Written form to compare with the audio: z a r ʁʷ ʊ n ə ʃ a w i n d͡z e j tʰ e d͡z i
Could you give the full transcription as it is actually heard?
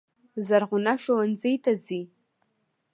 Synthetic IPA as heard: z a r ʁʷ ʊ n a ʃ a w a n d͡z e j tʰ a d͡z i

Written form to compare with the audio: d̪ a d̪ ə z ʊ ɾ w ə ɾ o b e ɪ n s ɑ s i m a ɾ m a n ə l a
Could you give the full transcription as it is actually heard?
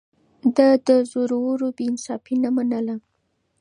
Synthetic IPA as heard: d̪ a d̪ ə z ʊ ɾ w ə ɾ o b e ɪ n s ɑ f i n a m a n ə l a

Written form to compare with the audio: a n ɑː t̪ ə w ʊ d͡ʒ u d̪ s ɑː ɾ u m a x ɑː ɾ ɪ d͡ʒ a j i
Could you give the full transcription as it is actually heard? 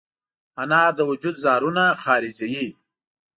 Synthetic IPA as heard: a n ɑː d̪ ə w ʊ d͡ʒ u d̪ z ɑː ɾ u n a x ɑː ɾ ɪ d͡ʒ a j i

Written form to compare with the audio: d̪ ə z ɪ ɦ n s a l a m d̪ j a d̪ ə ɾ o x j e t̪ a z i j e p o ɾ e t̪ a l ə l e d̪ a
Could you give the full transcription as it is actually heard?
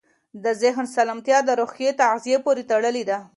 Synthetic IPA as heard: d̪ ə z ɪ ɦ n s a l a m t̪ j ɑ d̪ ə ɾ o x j e t̪ a z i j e p o ɾ e t̪ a ɽ ə l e d̪ a

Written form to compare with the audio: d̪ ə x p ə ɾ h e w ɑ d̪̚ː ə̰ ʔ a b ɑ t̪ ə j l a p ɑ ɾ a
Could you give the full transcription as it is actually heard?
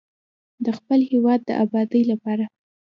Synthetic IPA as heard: d̪ ə x p ə l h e w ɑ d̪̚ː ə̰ ʔ a b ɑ d̪ ə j l a p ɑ ɾ a

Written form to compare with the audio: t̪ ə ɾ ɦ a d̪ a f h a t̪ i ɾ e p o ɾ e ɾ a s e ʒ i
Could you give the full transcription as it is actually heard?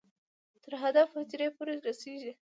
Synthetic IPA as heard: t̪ ə ɾ ɦ a d̪ a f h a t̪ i ɾ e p o ɾ e ɾ a s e ʒ i

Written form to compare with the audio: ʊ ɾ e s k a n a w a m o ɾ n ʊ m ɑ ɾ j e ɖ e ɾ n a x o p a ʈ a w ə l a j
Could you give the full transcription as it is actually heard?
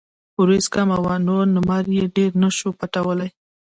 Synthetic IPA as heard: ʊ ɾ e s k a m a w a n o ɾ n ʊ m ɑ ɾ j e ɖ e ɾ n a ʃ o p a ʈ a w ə l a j

